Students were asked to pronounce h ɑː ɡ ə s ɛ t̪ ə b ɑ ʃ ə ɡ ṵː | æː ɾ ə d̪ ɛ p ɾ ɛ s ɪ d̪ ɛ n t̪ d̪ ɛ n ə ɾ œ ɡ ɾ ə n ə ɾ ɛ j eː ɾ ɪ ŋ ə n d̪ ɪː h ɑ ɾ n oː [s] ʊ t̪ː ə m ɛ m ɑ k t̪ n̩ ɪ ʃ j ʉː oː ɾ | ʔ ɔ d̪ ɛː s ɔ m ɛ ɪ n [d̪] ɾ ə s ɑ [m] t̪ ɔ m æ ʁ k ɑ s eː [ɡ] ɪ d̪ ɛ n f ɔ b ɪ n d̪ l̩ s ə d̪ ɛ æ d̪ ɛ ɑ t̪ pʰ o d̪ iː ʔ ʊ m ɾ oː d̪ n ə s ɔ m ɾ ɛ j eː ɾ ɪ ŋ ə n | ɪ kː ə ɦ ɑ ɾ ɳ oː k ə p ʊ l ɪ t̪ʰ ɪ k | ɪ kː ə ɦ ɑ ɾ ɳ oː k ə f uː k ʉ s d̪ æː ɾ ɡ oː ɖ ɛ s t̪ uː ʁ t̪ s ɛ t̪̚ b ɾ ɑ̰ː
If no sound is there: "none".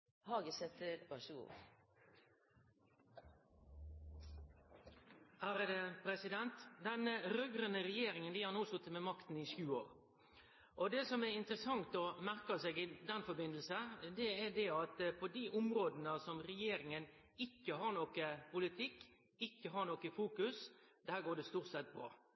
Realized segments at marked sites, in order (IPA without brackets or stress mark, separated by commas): s, t̪, ŋ, ɡ